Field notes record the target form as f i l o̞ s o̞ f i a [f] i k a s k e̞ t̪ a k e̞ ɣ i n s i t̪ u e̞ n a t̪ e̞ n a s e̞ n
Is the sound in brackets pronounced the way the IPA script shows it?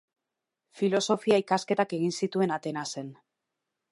no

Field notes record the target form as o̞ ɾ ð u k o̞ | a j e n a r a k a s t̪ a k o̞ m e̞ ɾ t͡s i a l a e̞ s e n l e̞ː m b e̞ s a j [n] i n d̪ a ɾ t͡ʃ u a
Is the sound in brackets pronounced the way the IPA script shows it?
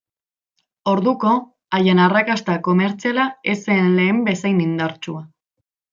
yes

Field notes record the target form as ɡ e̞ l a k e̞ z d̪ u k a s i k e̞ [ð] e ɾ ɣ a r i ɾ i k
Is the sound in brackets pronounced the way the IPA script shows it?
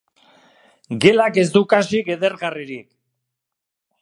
yes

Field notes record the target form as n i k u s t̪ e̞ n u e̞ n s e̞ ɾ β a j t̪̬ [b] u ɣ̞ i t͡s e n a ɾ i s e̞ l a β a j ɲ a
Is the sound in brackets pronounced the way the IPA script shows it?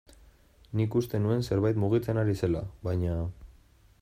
no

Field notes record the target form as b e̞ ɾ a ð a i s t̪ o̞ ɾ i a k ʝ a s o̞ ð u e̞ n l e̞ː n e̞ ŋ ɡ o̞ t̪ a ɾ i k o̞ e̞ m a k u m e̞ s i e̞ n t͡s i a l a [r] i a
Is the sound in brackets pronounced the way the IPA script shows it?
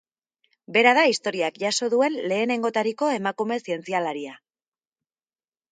no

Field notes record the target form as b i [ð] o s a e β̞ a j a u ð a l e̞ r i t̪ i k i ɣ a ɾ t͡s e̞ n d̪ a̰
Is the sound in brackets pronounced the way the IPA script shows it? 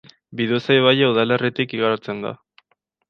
yes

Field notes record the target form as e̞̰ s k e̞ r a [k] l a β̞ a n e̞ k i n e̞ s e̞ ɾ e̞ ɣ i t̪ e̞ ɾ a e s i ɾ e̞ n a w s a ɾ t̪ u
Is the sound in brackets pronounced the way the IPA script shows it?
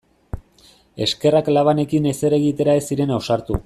yes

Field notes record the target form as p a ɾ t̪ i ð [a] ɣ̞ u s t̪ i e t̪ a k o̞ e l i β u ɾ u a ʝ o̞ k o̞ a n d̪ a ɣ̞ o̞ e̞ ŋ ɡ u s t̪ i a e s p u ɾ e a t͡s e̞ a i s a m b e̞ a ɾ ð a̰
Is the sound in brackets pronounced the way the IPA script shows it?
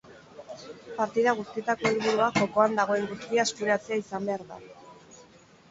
yes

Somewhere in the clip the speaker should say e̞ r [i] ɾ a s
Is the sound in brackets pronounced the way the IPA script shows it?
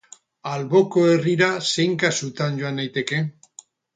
yes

